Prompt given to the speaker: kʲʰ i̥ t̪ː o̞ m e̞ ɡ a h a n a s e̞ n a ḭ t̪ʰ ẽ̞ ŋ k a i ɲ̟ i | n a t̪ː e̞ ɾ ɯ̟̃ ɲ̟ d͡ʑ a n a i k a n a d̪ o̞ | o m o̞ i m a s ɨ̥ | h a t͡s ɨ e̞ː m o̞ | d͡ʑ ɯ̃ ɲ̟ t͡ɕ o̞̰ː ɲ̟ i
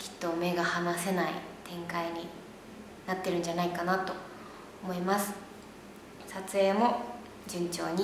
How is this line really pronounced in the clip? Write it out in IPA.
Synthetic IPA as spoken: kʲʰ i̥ t̪ː o̞ m e̞ ɡ a h a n a s e̞ n a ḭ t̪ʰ ẽ̞ ŋ k a i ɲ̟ i | n a t̪ː e̞ ɾ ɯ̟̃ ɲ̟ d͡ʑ a n a i k a n a t̪ o̞ | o m o̞ i m a s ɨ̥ | s a t͡s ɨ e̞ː m o̞ | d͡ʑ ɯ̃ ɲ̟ t͡ɕ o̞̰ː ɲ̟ i

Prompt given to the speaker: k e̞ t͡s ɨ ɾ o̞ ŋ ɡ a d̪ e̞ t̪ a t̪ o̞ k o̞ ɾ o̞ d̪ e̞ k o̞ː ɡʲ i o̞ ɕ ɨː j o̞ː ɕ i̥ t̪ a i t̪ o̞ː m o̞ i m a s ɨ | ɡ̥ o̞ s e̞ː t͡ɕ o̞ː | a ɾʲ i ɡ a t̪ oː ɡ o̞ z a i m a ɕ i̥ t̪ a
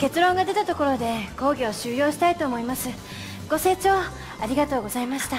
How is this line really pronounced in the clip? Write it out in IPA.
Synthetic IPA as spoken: k e̞ t͡s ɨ ɾ õ̞ ŋ ɡ a d̪ e̞ t̪ a t̪ o̞ k o̞ ɾ o̞ d̪ e̞ k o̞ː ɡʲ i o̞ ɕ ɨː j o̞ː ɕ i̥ t̪ a i t̪ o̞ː m o̞ i m a s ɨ | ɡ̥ o̞ s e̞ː t͡ɕ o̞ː | a ɾʲ i ɡ a t̪ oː ɡ o̞ z a i m a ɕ i̥ t̪ a

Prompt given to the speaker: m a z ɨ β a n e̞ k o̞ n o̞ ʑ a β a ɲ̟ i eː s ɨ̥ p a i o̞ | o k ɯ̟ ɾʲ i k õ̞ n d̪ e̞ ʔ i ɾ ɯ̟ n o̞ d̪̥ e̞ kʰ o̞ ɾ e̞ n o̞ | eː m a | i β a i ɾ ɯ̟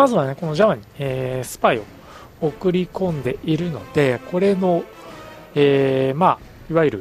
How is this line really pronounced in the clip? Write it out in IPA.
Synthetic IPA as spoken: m a z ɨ β a n e̞ k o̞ n o̞ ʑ a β a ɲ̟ i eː s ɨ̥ p a i o̞ | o k ɯ̟ ɾʲ i k õ̞ n d̪ e̞ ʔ i ɾ ɯ̟ n o̞ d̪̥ e̞ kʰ o̞ ɾ e̞ n o̞ | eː m a | i β a i ɾ ɯ̟

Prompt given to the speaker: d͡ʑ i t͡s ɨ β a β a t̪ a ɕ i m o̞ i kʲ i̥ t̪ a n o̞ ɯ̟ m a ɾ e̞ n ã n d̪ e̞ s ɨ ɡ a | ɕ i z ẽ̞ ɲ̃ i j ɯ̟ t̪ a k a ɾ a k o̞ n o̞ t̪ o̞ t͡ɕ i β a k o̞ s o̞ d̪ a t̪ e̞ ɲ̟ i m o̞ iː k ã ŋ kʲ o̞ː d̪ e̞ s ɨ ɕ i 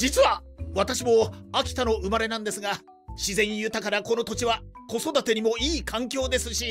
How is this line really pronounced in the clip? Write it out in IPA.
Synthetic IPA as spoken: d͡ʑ i t͡s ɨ β a β a t̪ a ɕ i m o̞ a kʲ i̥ t̪ a n o̞ ɯ̟ m a ɾ e̞ n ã n d̪ e̞ s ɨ ɡ a | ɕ i z ẽ̞ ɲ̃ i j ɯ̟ t̪ a k a ɾ a k o̞ n o̞ t̪ o̞ t͡ɕ i β a k o̞ s o̞ d̪ a t̪ e̞ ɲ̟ i m o̞ iː k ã ŋ kʲ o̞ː d̪ e̞ s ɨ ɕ i

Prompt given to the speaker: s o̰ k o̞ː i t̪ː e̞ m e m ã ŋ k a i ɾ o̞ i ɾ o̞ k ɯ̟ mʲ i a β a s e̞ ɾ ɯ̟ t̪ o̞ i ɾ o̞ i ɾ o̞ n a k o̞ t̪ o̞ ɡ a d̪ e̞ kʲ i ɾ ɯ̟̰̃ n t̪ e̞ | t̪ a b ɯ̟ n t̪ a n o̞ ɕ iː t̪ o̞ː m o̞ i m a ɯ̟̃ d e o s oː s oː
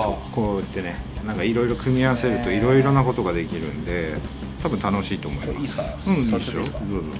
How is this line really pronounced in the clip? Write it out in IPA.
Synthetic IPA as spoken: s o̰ k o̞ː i t̪ː e̞ n e n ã ŋ k a i ɾ o̞ i ɾ o̞ k ɯ̟ mʲ i a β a s e̞ ɾ ɯ̟ t̪ o̞ i ɾ o̞ i ɾ o̞ n a k o̞ t̪ o̞ ɡ a d̪ e̞ kʲ i ɾ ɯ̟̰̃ n d̪ e̞ | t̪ a b ɯ̟ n t̪ a n o̞ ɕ iː t̪ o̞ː m o̞ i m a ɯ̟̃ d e o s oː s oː

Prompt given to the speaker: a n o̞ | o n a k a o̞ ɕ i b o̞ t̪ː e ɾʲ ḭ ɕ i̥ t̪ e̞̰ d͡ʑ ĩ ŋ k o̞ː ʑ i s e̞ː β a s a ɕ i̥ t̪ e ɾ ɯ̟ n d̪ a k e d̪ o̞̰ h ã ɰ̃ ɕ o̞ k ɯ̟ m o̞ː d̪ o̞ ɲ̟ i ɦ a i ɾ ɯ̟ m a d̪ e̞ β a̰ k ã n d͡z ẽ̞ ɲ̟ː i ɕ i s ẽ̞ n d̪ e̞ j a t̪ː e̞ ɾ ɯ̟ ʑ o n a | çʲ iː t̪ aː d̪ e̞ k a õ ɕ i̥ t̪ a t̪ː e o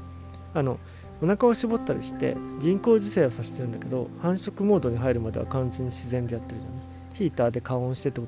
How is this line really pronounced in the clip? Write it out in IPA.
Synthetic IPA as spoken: a n o̞ | o n a k a o̞ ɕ i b o̞ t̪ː a ɾʲ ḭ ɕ i̥ t̪ e̞̰ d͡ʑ ĩ ŋ k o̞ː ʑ i s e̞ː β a s a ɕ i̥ t̪ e ɾ ɯ̟ n d̪ a k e d̪ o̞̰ h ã ɰ̃ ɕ o̞ k ɯ̟ m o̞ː d̪ o̞ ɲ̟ i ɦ a i ɾ ɯ̟ m a d̪ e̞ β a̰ k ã n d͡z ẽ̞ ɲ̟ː i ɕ i z ẽ̞ n d̪ e̞ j a t̪ː e̞ ɾ ɯ̟ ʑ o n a | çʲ iː t̪ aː d̪ e̞ k a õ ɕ i̥ t̪ e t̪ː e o

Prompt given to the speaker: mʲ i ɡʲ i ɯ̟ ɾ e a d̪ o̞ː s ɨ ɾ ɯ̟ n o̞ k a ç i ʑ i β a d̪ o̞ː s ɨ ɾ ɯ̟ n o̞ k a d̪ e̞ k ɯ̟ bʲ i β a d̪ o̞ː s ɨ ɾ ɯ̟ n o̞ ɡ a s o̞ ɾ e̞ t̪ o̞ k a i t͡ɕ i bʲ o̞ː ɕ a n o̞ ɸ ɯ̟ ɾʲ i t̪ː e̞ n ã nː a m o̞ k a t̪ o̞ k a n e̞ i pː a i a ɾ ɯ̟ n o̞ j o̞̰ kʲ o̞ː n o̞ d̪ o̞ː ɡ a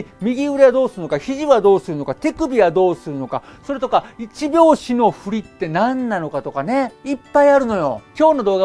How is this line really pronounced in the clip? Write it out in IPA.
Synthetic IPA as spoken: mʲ i ɡʲ i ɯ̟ ɾ e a d̪ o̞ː s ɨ ɾ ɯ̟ n o̞ k a ç i ʑ i β a d̪ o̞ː s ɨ ɾ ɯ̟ n o̞ k a t̪ e̞ k ɯ̟ bʲ i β a d̪ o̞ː s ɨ ɾ ɯ̟ n o̞ k a s o̞ ɾ e̞ t̪ o̞ k a i t͡ɕ i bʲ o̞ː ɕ i n o̞ ɸ ɯ̟ ɾʲ i t̪ː e̞ n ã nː a n o̞ k a t̪ o̞ k a n e̞ i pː a i a ɾ ɯ̟ n o̞ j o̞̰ kʲ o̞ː n o̞ d̪ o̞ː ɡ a

